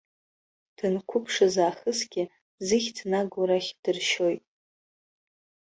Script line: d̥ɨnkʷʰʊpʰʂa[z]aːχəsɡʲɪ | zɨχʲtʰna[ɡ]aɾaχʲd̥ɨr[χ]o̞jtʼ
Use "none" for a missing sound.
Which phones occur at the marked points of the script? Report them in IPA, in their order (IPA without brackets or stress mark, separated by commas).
z, ɡ, ʃ